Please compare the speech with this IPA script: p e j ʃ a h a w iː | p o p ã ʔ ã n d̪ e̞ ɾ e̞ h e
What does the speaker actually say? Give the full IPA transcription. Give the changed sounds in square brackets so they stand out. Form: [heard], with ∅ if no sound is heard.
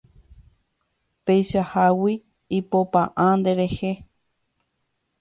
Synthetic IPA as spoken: p e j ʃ a h a w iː | p o p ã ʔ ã n d̪ e̞ ɾ e̞ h e